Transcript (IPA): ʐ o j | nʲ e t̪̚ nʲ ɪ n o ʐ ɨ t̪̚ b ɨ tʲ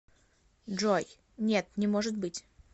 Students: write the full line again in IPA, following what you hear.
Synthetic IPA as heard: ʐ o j | nʲ e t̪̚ nʲ ɪ m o ʐ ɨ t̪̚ b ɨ tʲ

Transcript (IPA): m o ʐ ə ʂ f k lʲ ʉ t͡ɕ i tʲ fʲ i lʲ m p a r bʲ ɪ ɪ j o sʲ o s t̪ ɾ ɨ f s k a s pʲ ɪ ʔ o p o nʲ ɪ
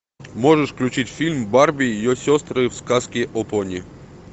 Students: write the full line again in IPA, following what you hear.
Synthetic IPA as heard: m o ʐ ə ʂ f k lʲ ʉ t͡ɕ i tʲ fʲ i lʲ m b a r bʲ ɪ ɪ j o sʲ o s t̪ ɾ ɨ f s k a s kʲ ɪ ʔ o p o nʲ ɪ

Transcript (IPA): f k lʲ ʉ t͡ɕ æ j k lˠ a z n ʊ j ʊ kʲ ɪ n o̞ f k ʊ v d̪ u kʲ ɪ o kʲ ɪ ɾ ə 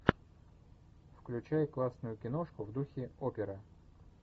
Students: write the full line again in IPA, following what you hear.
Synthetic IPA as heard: f k lʲ ʉ t͡ɕ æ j k lˠ a s n ʊ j ʊ kʲ ɪ n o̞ ʂ k ʊ v d̪ u xʲ ɪ o pʲ ɪ ɾ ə

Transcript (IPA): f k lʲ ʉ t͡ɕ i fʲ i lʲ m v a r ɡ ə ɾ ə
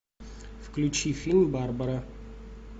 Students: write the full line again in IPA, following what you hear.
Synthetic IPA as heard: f k lʲ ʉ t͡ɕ i fʲ i lʲ m b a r b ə ɾ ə

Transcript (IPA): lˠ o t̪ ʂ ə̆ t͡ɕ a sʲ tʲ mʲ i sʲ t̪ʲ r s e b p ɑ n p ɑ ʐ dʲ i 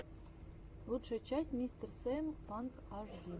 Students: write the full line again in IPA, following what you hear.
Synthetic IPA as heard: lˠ u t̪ ʂ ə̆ t͡ɕ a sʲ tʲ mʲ i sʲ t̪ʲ r s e m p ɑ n k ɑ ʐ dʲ i

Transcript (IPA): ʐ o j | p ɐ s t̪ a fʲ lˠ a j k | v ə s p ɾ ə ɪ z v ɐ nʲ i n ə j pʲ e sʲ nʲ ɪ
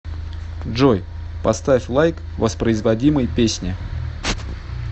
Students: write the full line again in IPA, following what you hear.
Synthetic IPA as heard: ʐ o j | p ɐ s t̪ a fʲ lˠ a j k | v ə s p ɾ ə ɪ z v ɐ dʲ i m ə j pʲ e sʲ nʲ ɪ

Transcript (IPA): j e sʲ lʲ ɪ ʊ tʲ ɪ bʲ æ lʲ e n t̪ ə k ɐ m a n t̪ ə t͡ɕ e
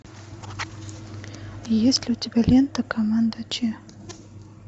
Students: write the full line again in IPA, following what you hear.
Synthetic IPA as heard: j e sʲ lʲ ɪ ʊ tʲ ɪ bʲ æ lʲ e n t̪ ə k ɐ m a n d̪ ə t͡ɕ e

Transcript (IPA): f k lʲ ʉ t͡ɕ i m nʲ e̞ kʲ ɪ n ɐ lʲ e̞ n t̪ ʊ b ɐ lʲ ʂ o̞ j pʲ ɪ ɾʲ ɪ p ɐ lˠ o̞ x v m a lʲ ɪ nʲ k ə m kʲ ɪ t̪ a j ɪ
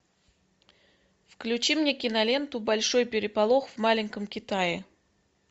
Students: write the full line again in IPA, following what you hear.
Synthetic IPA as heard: f k lʲ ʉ t͡ɕ i m nʲ e̞ kʲ ɪ n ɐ lʲ e̞ n t̪ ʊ b ɐ lʲ ʂ o̞ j pʲ ɪ ɾʲ ɪ p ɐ lˠ o̞ x v m a lʲ ɪ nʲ k ə m kʲ ɪ t̪ a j ɪ

